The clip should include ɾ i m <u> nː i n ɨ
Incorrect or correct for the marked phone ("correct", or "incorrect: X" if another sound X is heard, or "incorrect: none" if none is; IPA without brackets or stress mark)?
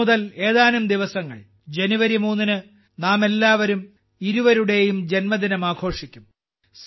incorrect: uː